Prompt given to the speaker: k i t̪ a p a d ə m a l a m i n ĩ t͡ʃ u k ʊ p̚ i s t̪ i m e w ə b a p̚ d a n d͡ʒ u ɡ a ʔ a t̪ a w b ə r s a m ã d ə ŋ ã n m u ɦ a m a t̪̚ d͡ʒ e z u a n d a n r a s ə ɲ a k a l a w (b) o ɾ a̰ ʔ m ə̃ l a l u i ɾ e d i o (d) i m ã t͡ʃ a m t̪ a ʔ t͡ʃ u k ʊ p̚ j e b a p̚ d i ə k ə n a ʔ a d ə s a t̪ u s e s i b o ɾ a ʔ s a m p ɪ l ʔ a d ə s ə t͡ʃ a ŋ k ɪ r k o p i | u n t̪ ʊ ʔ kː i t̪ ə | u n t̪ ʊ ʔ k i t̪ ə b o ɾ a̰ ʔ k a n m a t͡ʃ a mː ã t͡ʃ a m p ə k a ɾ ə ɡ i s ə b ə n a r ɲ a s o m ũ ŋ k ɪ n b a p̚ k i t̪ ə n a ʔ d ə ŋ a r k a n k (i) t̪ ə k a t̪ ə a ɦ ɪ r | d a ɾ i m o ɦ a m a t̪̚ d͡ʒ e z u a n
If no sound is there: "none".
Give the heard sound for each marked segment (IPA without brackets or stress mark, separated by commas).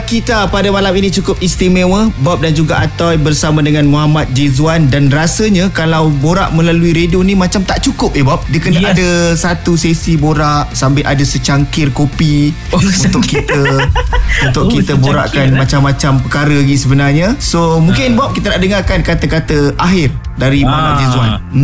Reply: b, n, a